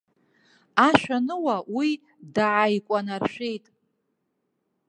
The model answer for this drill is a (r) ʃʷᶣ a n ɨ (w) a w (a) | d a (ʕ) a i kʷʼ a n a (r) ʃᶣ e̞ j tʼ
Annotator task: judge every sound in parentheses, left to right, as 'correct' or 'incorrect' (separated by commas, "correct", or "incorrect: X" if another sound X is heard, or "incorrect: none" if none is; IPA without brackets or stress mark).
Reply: incorrect: none, correct, incorrect: i, correct, correct